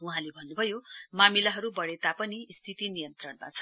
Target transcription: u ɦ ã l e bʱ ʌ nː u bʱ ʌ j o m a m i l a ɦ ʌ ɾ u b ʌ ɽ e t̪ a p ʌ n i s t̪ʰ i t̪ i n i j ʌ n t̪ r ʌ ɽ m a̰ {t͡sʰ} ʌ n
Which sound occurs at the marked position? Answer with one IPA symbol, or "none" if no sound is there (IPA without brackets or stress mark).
t͡sʰ